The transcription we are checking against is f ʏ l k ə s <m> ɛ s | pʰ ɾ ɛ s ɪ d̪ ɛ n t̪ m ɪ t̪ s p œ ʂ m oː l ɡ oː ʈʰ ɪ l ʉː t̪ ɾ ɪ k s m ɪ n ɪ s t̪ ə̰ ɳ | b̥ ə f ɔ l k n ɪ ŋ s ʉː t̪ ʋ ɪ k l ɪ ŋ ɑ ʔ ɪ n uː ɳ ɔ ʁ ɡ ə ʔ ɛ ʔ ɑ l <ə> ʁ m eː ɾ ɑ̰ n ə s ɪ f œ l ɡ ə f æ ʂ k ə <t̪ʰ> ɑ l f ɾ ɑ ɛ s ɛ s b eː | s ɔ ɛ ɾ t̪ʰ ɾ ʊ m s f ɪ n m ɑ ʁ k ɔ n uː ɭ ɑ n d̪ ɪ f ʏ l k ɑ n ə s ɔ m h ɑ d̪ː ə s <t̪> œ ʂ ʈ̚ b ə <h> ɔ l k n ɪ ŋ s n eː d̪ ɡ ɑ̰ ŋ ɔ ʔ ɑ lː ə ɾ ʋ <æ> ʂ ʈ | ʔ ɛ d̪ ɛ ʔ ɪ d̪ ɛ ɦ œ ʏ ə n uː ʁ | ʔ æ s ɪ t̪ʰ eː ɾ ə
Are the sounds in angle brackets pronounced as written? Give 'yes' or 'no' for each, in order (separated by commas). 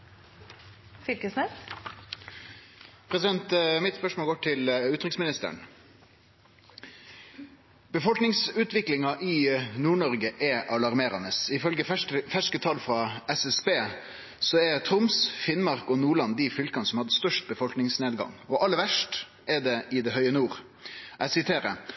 no, no, yes, yes, no, yes